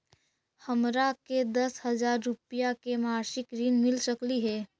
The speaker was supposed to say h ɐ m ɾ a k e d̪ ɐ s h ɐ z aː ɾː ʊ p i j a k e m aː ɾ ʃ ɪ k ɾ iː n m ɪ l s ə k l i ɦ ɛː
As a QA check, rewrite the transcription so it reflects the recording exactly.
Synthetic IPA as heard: h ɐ m ɾ a k e d̪ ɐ s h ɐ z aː ɾː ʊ p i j a k e m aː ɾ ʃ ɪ k ɾ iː n m ɪ l s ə k l i ɦ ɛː